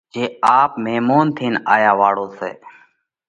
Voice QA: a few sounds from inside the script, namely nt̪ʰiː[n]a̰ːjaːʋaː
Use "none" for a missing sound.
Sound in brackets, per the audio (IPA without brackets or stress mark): n